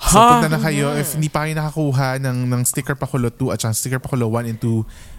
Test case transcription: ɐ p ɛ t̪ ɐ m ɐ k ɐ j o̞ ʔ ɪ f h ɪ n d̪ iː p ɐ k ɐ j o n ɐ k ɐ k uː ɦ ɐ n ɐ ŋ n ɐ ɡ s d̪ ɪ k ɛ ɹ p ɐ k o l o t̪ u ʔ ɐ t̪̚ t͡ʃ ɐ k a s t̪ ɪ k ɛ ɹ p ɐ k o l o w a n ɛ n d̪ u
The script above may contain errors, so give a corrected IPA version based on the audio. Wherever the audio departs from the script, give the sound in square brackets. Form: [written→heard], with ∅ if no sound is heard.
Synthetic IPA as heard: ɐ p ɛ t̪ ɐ [m→n] ɐ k ɐ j o̞ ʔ ɪ f h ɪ n d̪ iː p ɐ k ɐ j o n ɐ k ɐ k uː ɦ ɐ n ɐ ŋ n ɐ [ɡ→ŋ] s [d̪→t̪] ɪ k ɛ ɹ p ɐ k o l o t̪ u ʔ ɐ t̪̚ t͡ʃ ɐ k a s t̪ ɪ k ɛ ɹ p ɐ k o l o w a n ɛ n [d̪→t̪] u